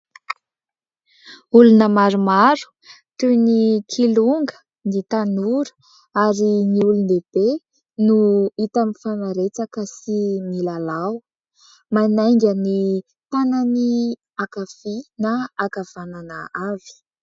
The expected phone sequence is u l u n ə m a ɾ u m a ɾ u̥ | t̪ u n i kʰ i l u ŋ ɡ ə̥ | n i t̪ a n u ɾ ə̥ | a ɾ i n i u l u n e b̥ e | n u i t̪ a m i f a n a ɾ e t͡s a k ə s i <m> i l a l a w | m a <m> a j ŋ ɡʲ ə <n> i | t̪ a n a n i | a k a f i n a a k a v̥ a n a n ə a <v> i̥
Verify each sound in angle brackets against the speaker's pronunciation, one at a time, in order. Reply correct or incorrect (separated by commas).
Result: correct, incorrect, correct, correct